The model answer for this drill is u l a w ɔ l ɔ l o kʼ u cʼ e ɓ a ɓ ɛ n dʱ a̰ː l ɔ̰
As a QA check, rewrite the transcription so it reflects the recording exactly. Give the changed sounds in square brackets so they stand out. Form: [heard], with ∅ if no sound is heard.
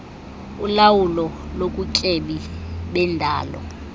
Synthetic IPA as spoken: u l a w [u] l ɔ l o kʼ u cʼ e ɓ [i] ɓ ɛ n dʱ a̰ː l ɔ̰